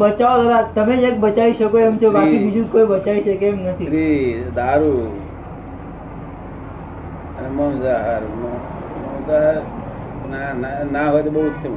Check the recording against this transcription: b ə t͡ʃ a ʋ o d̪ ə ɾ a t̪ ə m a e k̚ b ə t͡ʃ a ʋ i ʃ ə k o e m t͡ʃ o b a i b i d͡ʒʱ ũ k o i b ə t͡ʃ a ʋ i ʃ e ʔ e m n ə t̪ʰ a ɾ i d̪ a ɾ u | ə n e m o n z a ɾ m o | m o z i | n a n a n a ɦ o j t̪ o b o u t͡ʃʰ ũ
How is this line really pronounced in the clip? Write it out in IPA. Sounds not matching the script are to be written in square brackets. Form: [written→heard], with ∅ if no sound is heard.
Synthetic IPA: b ə t͡ʃ a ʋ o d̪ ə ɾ a t̪ ə m [a→e] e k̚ b ə t͡ʃ a ʋ i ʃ ə k o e m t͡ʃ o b a i b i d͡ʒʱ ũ k o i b ə t͡ʃ a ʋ i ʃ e [ʔ→k] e m n ə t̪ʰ [a→i] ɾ i d̪ a ɾ u | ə n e m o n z a ɾ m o | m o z [i→a] | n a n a n a ɦ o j t̪ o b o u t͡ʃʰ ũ